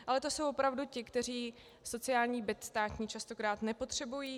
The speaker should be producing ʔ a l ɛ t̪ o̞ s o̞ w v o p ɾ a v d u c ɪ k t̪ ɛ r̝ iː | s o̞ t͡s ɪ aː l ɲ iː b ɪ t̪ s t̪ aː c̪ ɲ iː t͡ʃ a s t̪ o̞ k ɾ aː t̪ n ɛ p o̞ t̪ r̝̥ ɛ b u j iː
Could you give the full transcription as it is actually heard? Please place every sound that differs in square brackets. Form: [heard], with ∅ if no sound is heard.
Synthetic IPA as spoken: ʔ a l ɛ t̪ o̞ s o̞ w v o p ɾ a v d u c ɪ k t̪ ɛ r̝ iː | s o̞ t͡s ɪ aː l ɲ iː b ɪ t̪ s t̪ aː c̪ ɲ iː t͡ʃ a s t̪ o̞ k ɾ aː t̪ n ɛ p o̞ t̪ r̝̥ ɛ b u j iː